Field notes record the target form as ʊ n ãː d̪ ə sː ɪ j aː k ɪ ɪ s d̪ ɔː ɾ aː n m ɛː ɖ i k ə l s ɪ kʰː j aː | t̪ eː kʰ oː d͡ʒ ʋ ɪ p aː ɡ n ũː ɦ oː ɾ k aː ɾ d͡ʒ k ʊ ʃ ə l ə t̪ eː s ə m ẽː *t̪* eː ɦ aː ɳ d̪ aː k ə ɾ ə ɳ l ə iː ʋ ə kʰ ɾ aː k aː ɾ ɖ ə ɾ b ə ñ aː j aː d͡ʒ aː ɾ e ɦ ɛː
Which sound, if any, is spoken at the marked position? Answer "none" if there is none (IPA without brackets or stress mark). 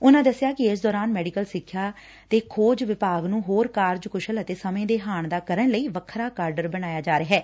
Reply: d̪